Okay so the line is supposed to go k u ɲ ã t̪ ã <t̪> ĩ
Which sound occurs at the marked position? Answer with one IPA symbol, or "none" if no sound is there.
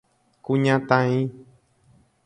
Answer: none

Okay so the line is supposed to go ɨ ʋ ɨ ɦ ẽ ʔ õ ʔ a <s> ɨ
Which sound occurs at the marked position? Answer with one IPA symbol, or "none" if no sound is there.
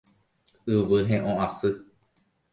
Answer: s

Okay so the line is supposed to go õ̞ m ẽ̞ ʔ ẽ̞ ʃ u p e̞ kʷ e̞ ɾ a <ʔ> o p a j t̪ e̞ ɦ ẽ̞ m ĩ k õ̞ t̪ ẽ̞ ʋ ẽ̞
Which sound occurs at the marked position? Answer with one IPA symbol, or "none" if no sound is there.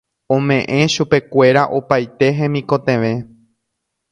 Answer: ʔ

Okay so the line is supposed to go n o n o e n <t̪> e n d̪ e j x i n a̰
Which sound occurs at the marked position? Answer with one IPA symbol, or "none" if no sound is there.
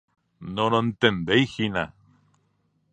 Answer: t̪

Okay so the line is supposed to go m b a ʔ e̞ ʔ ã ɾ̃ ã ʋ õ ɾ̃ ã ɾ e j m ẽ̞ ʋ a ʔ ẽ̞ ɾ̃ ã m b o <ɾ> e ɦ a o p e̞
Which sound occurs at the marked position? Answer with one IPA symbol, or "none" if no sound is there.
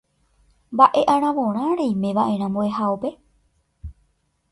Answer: none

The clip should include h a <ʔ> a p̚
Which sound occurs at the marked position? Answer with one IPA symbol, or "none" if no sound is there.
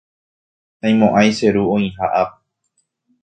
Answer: ʔ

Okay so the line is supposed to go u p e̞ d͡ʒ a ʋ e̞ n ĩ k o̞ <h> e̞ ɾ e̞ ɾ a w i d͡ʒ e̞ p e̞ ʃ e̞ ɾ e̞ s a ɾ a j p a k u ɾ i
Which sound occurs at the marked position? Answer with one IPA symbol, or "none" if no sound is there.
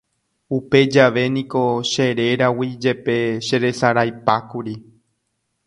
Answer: ʃ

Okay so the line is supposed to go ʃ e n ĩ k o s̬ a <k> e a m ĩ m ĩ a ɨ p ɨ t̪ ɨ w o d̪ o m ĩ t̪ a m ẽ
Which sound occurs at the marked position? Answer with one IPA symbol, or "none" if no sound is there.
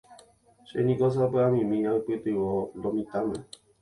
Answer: p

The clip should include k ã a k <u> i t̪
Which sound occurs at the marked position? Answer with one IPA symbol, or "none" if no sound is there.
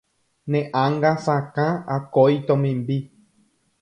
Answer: o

